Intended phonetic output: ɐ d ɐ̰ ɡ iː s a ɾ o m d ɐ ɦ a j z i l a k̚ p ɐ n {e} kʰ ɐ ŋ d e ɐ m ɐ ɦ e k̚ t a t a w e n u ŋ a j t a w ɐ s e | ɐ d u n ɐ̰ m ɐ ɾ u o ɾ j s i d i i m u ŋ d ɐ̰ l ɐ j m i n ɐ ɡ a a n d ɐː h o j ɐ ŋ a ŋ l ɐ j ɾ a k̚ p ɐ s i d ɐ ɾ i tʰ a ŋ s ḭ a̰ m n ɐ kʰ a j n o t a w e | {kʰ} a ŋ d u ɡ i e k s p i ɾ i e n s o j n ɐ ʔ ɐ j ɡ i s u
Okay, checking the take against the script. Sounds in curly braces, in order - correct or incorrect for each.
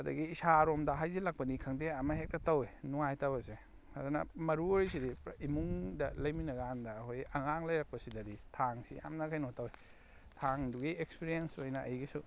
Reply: incorrect: i, incorrect: tʰ

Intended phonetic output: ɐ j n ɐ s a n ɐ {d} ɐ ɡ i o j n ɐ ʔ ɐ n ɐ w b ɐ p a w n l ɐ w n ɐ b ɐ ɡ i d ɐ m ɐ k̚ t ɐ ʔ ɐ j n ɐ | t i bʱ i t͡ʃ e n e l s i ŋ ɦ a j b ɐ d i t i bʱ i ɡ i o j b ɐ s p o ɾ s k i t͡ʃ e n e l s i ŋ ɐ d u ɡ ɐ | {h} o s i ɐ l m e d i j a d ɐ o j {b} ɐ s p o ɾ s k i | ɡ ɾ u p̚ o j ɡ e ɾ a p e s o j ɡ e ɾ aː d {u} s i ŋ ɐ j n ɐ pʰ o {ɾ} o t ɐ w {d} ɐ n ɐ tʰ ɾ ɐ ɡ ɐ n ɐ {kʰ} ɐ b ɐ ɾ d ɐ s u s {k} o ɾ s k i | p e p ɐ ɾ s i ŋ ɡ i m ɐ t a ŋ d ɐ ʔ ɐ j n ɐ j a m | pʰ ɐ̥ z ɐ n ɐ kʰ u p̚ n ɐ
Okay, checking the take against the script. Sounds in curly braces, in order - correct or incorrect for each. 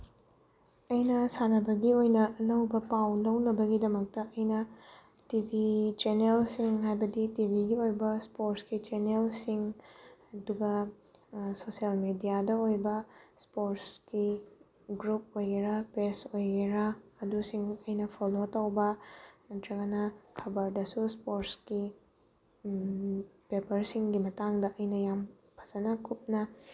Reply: incorrect: b, incorrect: s, correct, correct, incorrect: l, incorrect: b, correct, incorrect: p

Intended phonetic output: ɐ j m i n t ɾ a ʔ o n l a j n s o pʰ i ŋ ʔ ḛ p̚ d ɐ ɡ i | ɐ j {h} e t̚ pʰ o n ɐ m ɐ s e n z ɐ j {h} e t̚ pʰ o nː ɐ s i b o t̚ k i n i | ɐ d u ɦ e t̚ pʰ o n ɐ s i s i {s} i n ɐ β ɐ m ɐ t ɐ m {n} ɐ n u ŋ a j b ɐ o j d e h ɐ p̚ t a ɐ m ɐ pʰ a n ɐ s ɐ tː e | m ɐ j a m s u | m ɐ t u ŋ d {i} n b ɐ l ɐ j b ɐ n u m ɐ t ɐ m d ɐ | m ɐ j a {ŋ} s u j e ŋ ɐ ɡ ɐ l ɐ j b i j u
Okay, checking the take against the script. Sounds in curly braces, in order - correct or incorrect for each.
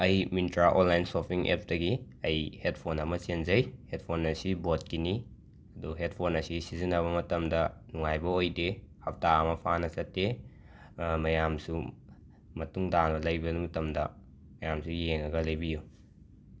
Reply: correct, correct, incorrect: z, incorrect: d, incorrect: a, incorrect: m

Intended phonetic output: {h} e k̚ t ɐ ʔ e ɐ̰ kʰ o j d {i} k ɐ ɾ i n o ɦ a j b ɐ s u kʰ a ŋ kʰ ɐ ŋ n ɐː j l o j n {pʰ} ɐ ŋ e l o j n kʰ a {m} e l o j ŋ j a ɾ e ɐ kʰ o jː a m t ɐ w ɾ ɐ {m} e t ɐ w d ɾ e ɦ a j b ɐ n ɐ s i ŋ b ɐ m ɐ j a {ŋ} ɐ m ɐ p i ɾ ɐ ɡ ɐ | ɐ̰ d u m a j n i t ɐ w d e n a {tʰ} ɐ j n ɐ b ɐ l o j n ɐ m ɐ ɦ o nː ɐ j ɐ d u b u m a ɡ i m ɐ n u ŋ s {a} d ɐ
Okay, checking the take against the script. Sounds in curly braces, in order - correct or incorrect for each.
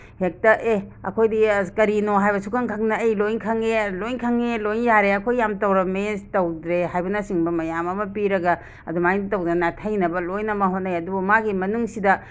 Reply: correct, correct, incorrect: kʰ, incorrect: ŋ, correct, incorrect: m, correct, incorrect: i

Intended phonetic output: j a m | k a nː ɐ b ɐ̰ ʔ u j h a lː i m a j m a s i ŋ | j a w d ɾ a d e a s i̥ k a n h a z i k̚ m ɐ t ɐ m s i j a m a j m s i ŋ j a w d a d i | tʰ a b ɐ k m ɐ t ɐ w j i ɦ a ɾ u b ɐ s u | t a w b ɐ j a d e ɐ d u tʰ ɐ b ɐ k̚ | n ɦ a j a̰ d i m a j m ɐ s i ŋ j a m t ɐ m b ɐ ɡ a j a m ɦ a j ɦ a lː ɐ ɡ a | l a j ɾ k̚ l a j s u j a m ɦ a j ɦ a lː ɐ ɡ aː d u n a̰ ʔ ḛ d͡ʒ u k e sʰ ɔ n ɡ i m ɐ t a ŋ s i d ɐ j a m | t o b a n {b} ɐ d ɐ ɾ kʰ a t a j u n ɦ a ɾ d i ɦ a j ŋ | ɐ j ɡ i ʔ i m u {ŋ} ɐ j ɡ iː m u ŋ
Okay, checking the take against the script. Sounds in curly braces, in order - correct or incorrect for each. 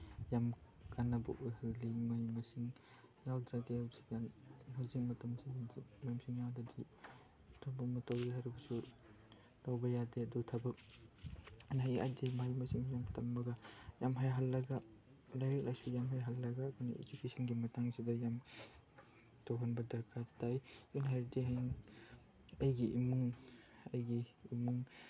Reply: correct, correct

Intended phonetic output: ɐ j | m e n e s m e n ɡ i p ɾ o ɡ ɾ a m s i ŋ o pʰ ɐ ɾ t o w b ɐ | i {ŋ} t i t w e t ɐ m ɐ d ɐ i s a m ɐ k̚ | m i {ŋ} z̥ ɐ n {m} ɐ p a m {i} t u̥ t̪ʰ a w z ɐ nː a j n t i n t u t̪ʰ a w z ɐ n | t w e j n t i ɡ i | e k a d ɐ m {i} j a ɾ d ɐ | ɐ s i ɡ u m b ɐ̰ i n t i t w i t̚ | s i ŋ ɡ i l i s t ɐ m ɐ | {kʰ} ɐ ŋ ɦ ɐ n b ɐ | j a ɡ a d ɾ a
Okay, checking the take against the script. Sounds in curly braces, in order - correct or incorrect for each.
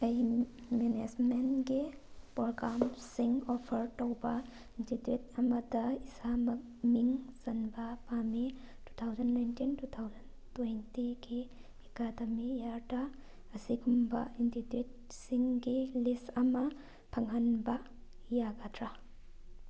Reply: incorrect: n, correct, incorrect: b, correct, correct, incorrect: pʰ

